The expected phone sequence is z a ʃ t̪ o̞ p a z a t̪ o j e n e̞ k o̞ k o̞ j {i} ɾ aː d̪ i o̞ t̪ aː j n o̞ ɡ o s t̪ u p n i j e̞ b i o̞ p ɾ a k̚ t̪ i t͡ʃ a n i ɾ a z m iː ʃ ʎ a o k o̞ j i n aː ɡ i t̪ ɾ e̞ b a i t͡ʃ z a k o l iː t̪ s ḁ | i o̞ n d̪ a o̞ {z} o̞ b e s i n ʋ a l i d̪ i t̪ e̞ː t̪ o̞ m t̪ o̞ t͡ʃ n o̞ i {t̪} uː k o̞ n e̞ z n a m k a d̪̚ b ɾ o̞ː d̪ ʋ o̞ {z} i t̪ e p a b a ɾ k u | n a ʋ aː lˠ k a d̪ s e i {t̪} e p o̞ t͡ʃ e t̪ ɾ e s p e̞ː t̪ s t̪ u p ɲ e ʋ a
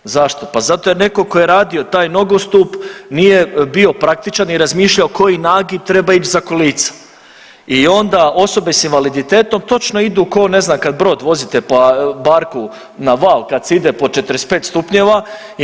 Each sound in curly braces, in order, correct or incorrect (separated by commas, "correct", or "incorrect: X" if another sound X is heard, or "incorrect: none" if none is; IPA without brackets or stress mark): incorrect: e, incorrect: s, incorrect: d̪, correct, incorrect: d̪